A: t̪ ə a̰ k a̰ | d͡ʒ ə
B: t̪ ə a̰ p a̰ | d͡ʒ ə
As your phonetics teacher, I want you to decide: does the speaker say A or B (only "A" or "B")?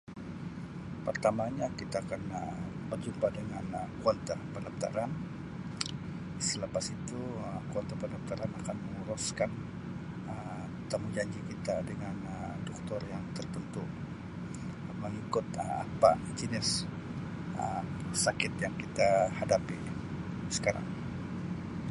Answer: B